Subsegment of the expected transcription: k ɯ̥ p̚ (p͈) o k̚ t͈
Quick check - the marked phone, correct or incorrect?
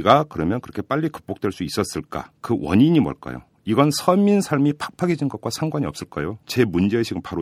correct